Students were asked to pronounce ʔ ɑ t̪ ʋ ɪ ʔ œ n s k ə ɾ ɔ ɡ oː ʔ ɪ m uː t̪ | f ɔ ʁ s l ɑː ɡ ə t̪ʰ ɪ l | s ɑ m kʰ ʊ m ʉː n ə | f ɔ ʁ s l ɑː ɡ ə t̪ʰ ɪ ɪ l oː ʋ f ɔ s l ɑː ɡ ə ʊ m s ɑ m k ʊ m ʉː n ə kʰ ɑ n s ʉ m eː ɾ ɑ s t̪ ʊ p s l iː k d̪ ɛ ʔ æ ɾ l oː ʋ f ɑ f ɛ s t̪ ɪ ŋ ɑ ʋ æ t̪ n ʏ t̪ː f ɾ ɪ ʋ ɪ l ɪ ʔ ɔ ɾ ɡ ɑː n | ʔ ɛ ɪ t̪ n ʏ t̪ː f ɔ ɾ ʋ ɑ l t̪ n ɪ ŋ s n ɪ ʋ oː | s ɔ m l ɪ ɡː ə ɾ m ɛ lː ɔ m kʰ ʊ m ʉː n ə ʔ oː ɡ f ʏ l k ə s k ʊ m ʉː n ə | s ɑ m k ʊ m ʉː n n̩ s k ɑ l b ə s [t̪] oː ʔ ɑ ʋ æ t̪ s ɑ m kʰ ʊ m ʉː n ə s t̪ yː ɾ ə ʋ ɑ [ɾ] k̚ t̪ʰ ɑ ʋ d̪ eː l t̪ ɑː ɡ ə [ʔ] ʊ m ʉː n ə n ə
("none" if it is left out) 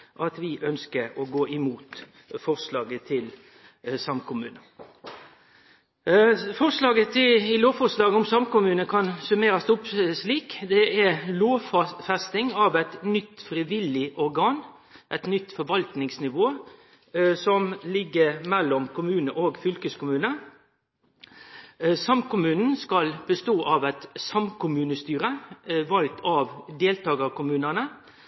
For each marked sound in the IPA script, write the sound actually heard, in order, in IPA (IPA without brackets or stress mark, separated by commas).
t̪, l, k